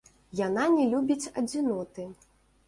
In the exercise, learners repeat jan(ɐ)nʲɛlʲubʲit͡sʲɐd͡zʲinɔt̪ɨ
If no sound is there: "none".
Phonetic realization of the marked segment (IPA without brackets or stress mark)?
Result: a